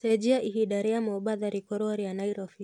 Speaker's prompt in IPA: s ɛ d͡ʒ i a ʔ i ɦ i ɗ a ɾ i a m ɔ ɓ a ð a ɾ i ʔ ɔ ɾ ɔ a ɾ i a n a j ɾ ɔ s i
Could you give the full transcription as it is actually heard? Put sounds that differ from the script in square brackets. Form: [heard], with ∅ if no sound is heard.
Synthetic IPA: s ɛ d͡ʒ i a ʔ i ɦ i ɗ a ɾ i a m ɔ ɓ a ð a ɾ i [k] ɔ ɾ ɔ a ɾ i a n a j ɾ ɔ [f] i